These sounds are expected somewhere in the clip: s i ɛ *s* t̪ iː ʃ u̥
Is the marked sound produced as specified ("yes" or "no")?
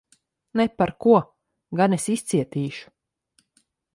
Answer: no